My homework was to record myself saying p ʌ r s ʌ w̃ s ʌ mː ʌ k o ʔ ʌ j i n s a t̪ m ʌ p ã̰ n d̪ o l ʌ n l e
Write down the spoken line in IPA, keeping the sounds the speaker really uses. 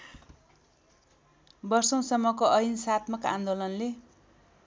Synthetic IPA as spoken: b ʌ r s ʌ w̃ s ʌ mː ʌ k o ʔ ʌ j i n s a t̪ m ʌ k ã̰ n d̪ o l ʌ n l e